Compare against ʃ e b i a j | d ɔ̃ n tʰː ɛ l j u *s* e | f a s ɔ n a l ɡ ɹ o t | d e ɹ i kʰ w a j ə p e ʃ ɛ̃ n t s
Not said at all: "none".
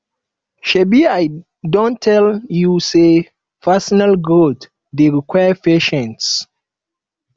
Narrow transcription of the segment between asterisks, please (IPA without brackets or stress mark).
s